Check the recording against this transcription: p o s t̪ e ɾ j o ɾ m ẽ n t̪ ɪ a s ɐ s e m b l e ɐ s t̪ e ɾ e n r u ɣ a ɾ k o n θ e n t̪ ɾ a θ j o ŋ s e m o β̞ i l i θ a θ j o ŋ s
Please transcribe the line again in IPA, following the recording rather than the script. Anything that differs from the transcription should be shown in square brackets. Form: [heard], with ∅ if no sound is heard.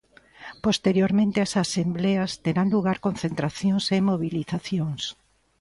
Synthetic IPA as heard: p o s t̪ e ɾ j o ɾ m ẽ n t̪ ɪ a s [a] s e m b l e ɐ s t̪ e ɾ [a] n [l] u ɣ a ɾ k o n θ e n t̪ ɾ a θ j o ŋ s e m o β̞ i l i θ a θ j o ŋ s